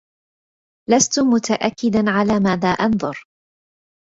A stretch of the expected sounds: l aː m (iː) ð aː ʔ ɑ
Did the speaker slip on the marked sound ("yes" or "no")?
yes